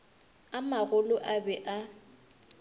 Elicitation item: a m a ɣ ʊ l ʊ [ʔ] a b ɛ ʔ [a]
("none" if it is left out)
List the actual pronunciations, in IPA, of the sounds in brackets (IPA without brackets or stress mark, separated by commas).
ʔ, a